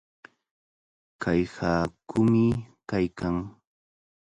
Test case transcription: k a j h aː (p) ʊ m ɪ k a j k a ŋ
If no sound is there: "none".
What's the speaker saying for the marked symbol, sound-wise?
k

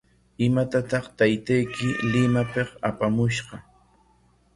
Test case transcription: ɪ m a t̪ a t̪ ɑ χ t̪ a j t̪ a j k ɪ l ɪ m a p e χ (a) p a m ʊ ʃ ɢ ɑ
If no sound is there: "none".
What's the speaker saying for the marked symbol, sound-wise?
a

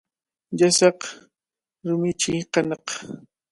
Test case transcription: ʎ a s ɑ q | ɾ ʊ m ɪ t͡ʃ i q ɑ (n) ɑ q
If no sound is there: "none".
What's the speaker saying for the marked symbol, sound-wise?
n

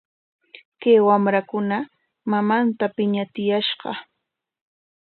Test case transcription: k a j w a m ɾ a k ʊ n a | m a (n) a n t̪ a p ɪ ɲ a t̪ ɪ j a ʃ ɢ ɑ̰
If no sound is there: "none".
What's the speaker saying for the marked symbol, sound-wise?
m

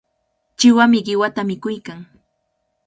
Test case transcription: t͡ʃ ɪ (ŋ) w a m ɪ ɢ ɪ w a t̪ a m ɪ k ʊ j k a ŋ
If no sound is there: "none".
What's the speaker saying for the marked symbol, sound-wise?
none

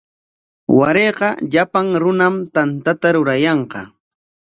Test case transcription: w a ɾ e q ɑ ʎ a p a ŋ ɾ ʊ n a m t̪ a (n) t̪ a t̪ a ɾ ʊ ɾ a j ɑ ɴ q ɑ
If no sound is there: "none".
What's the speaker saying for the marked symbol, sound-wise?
n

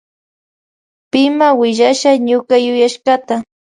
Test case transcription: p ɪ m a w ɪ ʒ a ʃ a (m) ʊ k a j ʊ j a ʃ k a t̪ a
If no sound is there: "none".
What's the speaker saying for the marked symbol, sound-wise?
ɲ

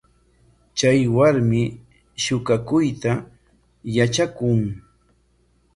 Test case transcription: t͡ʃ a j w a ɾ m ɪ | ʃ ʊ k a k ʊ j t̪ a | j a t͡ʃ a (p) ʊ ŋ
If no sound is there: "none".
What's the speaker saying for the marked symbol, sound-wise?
k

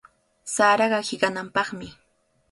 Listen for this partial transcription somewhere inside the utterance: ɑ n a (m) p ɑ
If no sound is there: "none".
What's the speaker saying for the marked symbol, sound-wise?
m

